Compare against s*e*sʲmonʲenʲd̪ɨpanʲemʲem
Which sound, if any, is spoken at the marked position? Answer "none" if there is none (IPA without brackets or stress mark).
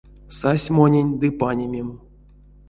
a